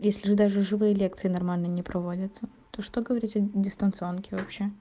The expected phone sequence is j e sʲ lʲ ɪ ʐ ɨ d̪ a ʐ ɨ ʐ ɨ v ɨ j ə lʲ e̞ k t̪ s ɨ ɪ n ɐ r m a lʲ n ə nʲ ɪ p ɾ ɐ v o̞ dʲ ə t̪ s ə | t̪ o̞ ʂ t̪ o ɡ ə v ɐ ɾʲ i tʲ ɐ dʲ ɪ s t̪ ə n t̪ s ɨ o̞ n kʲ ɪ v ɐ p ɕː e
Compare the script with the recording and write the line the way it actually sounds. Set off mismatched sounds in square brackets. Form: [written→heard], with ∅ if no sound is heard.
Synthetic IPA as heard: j e sʲ lʲ ɪ ʐ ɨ d̪ a ʐ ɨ ʐ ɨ v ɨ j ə lʲ e̞ k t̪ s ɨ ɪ n ɐ r m a lʲ n ə nʲ ɪ p ɾ ɐ v o̞ dʲ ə t̪ s ə | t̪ o̞ ʂ t̪ o ɡ ə v ɐ ɾʲ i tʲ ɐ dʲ ɪ s t̪ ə n t̪ s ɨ o̞ n kʲ ɪ v ɐ p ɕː e